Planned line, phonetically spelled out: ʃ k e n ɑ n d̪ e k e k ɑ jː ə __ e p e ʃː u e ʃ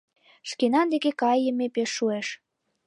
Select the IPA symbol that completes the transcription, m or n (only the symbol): m